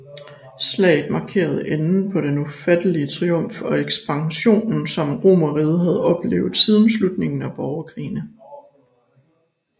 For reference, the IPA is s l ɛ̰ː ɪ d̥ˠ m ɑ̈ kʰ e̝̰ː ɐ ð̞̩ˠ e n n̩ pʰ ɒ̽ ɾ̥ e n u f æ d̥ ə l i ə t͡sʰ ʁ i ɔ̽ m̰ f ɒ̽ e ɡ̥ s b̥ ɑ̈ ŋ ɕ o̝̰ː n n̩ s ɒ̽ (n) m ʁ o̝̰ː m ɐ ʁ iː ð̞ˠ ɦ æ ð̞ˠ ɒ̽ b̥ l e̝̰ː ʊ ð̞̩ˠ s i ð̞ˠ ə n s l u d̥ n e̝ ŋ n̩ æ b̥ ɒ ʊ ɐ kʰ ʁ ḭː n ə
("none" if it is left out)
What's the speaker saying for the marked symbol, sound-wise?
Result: none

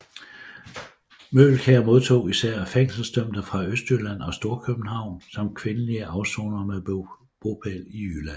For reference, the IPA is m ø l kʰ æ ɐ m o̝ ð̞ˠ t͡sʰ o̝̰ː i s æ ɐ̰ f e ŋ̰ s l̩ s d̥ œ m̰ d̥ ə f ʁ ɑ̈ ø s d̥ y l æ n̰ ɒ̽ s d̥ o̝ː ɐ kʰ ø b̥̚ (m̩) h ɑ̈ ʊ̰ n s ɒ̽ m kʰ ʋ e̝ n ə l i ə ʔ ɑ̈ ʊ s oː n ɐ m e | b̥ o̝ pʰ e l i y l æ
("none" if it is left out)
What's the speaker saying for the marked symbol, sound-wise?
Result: n̩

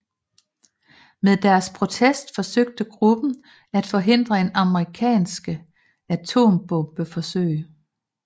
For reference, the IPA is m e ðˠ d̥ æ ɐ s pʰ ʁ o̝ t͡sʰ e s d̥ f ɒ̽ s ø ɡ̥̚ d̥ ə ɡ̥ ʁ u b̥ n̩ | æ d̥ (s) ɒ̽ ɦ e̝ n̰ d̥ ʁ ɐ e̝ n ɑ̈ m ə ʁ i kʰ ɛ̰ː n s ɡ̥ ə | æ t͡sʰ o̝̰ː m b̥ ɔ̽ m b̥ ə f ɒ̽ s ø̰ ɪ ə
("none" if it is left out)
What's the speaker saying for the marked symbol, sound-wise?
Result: f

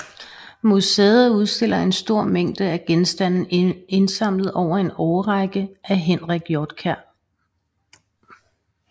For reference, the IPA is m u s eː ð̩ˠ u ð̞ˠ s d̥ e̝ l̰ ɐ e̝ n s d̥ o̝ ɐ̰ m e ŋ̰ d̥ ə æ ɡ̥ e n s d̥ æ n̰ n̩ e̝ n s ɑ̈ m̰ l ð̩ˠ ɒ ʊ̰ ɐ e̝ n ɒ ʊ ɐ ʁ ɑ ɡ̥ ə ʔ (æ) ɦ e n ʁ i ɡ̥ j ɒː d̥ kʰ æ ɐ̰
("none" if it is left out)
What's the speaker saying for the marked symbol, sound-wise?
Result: æ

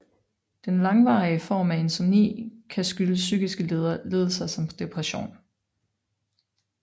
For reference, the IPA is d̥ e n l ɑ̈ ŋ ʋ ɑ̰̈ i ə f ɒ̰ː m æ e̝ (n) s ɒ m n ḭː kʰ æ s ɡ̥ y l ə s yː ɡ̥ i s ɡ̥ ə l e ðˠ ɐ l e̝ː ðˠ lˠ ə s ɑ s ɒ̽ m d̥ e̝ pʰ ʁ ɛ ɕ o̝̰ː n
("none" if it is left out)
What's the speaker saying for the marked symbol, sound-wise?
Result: n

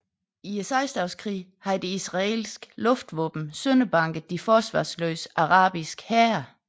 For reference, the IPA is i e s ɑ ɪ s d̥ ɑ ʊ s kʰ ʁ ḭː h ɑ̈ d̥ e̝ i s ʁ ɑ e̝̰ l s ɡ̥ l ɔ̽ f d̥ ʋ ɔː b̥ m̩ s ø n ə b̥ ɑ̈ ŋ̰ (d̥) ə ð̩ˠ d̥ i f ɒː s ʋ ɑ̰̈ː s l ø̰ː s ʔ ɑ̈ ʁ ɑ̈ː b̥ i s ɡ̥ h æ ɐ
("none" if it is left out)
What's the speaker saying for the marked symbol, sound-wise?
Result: ɡ̥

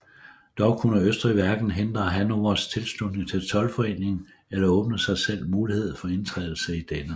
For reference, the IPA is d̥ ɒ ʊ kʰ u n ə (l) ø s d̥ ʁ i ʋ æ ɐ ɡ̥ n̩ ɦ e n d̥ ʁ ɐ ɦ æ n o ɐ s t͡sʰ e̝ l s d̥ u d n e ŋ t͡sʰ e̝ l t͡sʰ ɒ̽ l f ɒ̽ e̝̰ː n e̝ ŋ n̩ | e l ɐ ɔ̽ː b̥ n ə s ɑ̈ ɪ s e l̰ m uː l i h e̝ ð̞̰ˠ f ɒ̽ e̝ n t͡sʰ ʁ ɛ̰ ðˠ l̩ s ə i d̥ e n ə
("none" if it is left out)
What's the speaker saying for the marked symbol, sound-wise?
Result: none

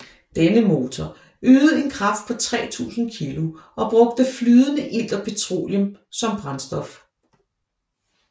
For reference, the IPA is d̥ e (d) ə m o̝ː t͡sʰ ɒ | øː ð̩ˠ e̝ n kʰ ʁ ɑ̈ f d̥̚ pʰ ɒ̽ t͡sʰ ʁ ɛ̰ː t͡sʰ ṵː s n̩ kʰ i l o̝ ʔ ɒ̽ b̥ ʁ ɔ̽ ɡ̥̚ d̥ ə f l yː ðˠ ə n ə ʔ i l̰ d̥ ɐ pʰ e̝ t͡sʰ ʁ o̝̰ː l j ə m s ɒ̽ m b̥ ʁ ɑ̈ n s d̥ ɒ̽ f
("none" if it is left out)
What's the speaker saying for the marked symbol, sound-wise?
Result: n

